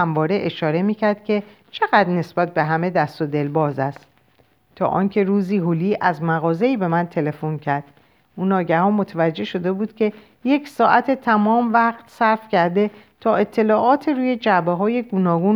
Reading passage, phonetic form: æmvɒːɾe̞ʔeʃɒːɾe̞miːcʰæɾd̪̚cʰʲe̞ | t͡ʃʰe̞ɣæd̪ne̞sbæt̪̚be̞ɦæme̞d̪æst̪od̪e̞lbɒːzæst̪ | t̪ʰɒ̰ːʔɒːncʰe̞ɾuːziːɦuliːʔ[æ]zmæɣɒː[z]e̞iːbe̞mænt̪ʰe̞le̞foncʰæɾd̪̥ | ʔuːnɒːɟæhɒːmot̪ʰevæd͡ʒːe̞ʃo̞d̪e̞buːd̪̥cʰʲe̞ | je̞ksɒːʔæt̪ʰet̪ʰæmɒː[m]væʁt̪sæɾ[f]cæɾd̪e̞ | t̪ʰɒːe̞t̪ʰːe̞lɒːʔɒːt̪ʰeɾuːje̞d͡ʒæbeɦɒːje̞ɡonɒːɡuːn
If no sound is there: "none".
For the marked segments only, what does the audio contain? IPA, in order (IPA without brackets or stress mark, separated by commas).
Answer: æ, z, m, f